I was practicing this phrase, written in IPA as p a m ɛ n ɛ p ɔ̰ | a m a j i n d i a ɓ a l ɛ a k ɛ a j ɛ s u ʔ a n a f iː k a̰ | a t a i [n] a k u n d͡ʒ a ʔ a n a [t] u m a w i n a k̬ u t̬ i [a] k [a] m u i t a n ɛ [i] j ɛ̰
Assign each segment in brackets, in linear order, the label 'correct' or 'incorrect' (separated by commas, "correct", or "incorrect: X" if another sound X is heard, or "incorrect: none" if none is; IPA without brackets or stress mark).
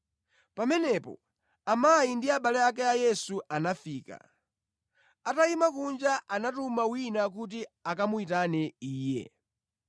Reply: incorrect: m, correct, correct, correct, incorrect: iː